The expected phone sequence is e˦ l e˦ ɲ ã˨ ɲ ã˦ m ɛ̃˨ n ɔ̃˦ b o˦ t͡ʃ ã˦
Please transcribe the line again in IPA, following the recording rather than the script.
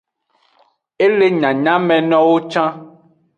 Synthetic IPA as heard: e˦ l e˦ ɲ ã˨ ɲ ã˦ m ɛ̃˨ n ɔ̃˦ w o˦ t͡ʃ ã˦